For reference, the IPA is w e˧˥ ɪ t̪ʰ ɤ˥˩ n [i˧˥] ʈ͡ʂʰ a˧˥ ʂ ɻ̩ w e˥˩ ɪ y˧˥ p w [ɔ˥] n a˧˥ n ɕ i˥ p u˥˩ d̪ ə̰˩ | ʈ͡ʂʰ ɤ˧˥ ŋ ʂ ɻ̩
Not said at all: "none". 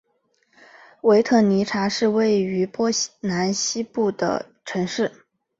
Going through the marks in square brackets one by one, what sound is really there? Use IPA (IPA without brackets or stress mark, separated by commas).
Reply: i˧˥, ɔ˥